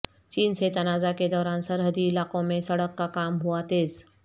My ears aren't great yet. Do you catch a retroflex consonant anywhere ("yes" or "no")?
yes